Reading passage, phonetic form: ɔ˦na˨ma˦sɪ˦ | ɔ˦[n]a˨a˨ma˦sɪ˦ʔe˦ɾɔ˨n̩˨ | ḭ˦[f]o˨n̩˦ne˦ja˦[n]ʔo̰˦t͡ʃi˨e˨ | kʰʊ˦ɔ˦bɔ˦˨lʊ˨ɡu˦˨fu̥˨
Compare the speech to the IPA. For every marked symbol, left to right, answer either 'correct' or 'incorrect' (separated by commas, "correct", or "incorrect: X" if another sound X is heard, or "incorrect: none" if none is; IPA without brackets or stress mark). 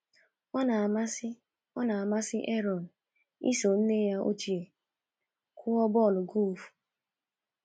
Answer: correct, incorrect: s, incorrect: none